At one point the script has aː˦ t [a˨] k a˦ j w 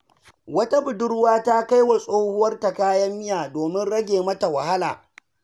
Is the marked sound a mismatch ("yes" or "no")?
yes